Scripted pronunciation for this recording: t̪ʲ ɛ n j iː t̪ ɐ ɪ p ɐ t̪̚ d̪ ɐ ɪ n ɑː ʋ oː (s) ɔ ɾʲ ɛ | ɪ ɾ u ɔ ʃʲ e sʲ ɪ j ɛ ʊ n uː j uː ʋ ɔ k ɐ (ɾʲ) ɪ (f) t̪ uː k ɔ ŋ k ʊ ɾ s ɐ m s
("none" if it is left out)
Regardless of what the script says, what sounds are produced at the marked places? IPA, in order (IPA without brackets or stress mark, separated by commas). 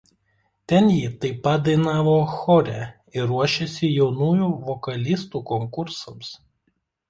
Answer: x, lʲ, s